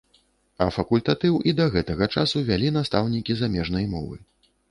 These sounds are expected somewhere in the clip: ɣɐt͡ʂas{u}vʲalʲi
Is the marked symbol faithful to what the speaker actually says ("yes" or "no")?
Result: yes